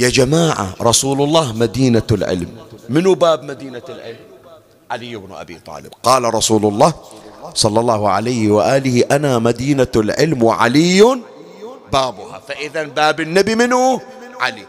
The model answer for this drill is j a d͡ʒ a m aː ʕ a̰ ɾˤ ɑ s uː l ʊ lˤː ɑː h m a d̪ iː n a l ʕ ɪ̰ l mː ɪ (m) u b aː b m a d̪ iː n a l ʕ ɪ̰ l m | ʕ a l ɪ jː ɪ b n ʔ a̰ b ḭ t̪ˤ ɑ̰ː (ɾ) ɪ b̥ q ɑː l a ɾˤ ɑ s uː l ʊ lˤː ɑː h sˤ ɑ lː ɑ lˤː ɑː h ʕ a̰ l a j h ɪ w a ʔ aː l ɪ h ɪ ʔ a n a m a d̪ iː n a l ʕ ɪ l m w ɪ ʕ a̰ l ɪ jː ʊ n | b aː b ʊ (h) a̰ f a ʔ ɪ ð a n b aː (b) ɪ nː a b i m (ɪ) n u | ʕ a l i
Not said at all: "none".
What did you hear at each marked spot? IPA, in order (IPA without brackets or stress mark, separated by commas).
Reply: n, l, h, b, ɪ